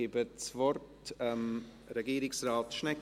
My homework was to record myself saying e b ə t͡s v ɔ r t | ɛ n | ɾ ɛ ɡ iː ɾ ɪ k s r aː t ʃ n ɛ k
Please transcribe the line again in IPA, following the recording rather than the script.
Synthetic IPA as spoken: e b ə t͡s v ɔ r t | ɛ m | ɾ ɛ ɡ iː ɾ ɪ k s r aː t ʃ n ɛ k